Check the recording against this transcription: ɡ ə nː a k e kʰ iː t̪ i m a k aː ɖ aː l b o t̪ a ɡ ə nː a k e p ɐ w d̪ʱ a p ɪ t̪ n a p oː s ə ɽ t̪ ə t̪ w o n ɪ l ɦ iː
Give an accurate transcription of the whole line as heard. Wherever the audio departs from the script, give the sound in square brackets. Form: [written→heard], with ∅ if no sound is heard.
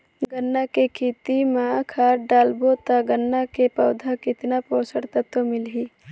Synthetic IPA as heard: ɡ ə nː a k e kʰ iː t̪ i m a [k→kʰ] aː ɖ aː l b o t̪ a ɡ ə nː a k e p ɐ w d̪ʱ a [p→k] ɪ t̪ n a p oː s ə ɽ t̪ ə t̪ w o [n→m] ɪ l ɦ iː